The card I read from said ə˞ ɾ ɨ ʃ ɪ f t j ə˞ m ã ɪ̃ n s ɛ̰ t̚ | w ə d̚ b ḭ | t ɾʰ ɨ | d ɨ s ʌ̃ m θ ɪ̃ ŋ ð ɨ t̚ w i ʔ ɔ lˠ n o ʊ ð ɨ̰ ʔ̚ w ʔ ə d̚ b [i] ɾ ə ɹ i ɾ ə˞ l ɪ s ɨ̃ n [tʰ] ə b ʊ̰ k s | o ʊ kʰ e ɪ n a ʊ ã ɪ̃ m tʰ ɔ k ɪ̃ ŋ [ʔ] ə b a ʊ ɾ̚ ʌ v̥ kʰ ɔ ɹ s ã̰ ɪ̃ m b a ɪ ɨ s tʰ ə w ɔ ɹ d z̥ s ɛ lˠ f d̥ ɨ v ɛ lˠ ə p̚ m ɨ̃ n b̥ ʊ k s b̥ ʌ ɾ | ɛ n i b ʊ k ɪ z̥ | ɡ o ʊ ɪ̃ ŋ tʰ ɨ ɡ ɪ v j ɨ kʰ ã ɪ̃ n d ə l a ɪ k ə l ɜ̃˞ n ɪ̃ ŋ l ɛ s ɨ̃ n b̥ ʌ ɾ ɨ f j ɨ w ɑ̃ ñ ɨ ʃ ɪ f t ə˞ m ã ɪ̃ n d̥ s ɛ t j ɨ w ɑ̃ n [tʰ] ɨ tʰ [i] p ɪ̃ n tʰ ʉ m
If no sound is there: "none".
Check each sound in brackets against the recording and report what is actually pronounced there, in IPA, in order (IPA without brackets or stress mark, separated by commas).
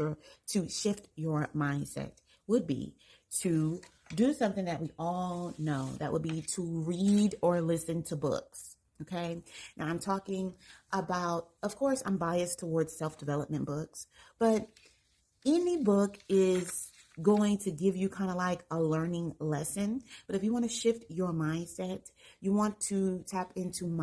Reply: i, tʰ, ʔ, tʰ, æ